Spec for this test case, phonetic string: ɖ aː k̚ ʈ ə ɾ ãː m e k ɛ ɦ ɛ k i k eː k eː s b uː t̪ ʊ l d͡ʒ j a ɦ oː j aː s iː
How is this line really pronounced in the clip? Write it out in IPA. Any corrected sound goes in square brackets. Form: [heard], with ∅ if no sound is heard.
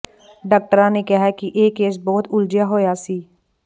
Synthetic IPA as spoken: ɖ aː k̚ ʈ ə ɾ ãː [n] e k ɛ ɦ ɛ k i [ʔ] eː k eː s b [ɔː] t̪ ʊ l d͡ʒ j a ɦ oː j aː s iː